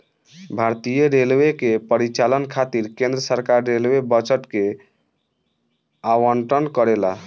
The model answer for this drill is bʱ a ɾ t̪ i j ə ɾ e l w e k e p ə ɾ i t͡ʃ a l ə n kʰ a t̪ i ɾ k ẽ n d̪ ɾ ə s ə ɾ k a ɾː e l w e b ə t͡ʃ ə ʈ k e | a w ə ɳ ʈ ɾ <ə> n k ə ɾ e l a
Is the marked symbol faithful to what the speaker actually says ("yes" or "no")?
yes